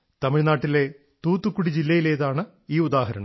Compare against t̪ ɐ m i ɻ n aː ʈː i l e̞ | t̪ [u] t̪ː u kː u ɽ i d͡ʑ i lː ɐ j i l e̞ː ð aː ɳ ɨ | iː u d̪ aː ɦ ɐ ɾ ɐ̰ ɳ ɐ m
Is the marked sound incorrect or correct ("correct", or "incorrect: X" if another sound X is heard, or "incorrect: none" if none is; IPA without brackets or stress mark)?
incorrect: uː